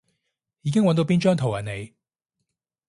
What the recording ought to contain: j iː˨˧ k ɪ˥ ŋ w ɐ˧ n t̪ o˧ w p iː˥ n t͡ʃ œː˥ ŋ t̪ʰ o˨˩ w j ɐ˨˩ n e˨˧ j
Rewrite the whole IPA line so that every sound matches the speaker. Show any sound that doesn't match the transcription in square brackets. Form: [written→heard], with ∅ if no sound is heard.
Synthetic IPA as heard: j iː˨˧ k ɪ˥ ŋ w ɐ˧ n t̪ o˧ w p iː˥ n t͡ʃ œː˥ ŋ t̪ʰ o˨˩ w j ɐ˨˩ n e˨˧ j